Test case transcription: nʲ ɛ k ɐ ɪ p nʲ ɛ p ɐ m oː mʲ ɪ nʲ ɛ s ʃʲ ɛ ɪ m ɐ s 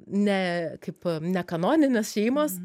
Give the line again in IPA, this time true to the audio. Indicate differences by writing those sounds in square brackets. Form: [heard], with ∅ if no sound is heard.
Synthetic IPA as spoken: nʲ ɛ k ɐ ɪ p nʲ ɛ [k] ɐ [n] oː [nʲ] ɪ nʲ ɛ s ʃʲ ɛ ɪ m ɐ s